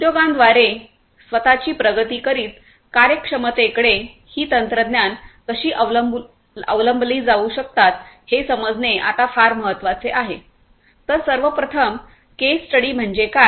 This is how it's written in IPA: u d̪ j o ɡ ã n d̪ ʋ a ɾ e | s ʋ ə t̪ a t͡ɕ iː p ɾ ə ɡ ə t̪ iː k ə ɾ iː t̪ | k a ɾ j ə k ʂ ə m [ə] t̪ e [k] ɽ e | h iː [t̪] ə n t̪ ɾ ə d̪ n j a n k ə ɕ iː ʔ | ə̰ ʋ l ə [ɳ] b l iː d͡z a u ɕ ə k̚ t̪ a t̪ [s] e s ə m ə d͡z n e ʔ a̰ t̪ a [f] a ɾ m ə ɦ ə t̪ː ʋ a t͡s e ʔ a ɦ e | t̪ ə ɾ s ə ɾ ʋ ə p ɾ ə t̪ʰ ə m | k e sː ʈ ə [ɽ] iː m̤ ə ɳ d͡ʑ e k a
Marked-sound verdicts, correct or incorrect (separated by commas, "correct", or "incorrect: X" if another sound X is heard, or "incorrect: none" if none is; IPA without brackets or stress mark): correct, correct, correct, incorrect: m, incorrect: h, correct, correct